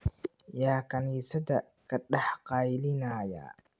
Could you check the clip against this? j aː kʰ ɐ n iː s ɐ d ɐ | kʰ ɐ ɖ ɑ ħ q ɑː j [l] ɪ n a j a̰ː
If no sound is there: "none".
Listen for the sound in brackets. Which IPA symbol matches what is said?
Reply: l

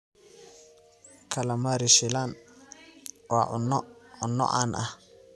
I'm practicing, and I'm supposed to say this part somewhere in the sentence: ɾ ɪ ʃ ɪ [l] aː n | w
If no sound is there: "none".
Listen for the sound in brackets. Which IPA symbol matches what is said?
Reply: l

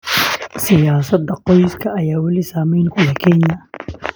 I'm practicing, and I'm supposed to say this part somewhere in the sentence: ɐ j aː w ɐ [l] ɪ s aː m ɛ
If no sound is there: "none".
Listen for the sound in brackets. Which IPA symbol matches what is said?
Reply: l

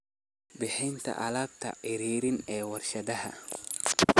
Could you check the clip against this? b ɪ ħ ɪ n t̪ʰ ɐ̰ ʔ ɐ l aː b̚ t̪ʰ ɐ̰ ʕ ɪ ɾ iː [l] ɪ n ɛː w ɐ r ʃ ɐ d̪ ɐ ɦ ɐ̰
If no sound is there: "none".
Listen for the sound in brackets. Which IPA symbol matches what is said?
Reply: ɾ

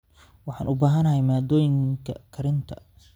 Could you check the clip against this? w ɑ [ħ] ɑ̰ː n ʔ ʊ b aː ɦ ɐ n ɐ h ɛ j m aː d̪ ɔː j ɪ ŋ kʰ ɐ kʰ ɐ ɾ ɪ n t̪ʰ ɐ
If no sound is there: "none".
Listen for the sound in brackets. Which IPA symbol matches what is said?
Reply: ħ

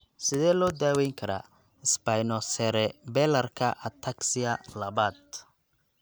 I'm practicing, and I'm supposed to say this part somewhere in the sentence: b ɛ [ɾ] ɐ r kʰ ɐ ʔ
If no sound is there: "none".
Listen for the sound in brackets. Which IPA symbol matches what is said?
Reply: l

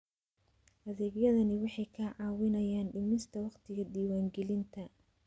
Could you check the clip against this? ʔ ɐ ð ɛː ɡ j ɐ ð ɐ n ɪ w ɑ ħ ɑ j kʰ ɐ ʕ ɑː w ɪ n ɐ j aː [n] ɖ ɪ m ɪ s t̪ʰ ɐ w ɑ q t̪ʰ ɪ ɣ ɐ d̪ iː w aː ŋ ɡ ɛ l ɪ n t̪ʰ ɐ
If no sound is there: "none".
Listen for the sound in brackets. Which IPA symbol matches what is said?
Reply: n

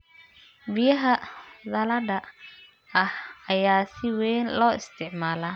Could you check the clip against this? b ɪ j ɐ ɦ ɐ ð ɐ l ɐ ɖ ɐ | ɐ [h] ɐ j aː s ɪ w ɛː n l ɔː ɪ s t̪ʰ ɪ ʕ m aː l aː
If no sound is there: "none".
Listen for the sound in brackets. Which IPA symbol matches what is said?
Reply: h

